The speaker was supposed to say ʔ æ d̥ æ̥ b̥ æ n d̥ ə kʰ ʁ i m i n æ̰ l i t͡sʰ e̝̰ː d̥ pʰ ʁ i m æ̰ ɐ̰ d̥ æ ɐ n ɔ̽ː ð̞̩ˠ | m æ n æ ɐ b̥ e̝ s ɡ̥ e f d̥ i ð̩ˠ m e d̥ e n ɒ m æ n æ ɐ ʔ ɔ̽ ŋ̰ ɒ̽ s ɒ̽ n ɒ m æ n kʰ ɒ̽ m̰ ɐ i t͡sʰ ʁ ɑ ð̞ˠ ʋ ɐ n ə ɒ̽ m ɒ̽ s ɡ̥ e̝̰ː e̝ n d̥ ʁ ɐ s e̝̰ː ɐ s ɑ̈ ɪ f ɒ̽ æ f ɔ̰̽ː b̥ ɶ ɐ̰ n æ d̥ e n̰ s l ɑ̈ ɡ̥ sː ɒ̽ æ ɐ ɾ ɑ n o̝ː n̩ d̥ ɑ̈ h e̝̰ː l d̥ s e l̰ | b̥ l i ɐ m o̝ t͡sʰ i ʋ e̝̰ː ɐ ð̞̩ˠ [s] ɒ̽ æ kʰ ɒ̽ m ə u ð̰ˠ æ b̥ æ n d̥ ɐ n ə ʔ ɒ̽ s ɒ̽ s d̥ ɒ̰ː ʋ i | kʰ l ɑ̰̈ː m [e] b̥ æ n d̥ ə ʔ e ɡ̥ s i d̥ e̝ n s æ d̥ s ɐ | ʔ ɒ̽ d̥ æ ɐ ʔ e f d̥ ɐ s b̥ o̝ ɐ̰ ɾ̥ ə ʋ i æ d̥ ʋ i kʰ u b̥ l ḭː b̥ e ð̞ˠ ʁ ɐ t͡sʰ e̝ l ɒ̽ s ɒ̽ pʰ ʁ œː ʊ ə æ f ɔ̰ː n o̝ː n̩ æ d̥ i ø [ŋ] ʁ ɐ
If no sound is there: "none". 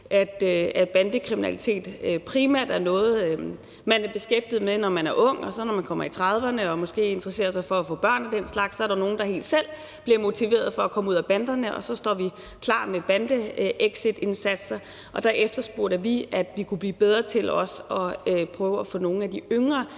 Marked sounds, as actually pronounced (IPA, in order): f, e, ŋ

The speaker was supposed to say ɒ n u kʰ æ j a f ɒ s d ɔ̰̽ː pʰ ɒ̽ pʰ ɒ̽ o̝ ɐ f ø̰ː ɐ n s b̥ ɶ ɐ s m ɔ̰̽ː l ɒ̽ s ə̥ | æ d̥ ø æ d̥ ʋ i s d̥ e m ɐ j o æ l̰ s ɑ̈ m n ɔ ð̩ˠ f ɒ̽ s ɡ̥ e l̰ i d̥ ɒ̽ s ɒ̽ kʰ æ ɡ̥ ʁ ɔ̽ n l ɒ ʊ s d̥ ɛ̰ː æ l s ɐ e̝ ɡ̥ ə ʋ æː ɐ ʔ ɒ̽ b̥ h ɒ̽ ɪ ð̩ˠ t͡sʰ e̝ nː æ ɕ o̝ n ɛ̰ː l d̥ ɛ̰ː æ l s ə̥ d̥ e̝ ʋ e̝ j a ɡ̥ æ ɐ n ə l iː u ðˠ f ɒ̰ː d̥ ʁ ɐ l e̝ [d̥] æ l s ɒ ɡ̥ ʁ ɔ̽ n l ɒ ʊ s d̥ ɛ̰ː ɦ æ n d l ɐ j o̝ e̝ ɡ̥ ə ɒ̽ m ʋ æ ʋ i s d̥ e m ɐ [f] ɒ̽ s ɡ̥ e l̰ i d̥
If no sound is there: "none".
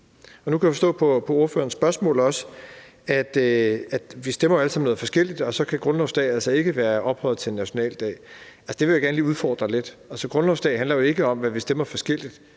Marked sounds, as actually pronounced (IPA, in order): d̥, f

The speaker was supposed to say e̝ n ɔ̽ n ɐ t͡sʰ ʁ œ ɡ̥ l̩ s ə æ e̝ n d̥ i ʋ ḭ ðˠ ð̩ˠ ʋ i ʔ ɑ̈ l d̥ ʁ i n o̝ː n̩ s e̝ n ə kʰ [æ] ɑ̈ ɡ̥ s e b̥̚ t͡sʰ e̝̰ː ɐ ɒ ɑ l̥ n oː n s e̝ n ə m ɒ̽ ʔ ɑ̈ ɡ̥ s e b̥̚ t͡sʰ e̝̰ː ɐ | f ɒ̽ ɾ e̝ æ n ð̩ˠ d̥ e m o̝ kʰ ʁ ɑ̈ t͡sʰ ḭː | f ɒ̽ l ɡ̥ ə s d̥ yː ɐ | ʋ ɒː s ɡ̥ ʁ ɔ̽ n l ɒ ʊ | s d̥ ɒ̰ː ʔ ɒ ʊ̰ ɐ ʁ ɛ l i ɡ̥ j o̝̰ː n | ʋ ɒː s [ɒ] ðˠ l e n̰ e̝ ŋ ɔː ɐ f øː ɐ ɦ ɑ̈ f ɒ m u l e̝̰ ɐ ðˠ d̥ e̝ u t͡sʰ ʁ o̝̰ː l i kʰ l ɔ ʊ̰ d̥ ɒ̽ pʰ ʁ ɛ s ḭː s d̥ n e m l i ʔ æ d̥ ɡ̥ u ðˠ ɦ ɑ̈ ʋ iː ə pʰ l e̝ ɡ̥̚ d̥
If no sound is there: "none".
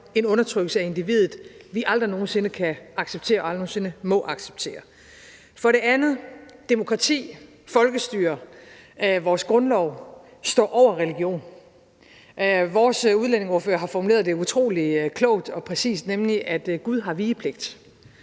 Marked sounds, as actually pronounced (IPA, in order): æ, u

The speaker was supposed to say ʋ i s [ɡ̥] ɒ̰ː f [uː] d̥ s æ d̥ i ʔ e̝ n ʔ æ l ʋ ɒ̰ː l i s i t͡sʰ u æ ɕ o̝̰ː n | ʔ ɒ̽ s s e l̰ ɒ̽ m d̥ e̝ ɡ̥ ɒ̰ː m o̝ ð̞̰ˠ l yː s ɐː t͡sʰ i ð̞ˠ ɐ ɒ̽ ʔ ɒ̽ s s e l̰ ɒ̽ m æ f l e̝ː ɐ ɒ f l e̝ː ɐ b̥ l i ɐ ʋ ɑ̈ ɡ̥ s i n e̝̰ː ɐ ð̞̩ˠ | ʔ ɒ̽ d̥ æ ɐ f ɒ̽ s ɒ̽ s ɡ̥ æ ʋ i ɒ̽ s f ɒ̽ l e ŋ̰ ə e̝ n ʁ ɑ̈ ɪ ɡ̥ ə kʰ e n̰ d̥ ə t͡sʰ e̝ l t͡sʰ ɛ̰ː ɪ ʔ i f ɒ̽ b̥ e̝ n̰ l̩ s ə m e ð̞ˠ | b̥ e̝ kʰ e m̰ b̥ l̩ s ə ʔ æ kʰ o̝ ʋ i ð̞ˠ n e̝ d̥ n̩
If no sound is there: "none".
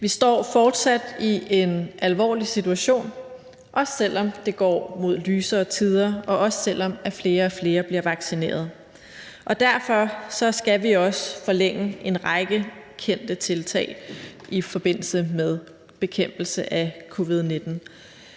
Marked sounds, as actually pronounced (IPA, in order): d̥, ɒː

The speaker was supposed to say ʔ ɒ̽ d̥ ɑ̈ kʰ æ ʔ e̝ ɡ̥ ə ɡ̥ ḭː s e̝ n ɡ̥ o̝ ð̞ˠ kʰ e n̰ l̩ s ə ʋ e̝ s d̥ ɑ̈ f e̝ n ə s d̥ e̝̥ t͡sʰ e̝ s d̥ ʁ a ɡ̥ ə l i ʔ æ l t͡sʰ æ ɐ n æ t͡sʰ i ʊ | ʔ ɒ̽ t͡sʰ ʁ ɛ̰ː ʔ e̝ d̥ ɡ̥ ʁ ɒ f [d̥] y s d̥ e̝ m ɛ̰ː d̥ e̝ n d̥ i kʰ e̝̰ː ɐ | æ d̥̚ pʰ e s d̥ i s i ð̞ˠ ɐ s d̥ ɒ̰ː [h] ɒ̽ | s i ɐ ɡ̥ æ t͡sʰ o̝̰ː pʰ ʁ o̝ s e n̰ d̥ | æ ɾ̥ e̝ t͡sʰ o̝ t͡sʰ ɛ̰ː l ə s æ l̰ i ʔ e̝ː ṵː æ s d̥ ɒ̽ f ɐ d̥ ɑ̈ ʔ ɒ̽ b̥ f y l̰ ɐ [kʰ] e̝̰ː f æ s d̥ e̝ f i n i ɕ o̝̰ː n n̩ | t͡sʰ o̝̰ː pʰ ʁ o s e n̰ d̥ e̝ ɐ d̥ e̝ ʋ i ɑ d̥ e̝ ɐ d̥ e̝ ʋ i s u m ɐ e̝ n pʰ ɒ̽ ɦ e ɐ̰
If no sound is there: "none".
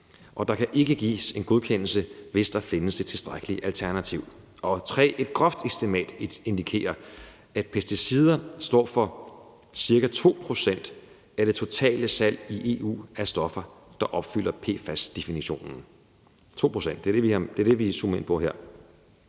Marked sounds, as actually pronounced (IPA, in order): d̥, f, pʰ

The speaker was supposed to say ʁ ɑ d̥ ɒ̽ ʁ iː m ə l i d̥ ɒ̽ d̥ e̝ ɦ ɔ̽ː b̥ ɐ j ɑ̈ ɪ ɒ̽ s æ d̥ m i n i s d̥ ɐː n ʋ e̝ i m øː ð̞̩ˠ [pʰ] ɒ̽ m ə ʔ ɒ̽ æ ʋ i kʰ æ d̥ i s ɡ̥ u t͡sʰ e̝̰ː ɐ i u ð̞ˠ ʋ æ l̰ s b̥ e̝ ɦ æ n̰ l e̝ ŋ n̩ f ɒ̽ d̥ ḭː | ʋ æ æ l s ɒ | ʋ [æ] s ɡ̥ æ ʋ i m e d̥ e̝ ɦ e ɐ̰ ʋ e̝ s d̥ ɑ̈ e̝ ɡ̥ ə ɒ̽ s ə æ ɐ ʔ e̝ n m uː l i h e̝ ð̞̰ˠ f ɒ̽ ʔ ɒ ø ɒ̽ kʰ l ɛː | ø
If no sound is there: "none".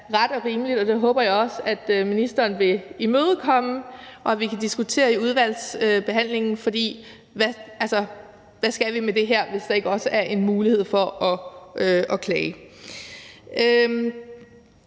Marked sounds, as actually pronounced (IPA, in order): kʰ, æ

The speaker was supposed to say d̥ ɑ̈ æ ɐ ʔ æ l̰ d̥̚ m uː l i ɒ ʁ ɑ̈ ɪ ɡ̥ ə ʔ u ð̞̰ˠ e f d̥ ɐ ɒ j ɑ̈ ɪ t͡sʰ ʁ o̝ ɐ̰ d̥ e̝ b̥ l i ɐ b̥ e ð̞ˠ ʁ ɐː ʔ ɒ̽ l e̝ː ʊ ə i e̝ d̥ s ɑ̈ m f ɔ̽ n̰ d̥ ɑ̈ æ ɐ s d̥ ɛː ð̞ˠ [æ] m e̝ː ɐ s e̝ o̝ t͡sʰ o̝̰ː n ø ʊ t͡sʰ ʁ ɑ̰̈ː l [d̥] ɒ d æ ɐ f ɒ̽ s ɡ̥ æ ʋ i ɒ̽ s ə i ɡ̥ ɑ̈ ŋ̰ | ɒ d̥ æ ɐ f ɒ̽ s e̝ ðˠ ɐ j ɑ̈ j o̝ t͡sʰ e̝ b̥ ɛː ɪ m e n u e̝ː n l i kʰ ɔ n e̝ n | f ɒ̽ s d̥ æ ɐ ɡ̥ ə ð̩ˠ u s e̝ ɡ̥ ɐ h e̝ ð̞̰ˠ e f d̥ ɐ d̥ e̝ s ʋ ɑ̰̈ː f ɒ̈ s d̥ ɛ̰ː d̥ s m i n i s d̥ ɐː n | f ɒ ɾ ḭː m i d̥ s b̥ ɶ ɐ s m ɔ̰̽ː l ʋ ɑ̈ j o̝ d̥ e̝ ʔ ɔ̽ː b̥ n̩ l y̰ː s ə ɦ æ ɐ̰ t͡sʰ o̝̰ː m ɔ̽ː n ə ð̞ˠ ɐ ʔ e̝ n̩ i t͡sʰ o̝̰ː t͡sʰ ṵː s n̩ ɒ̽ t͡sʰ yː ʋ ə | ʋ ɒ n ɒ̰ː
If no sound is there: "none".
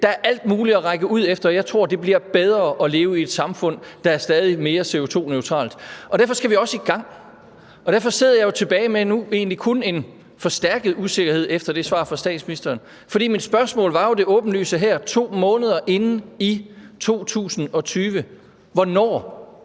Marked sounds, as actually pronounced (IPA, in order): i, d̥

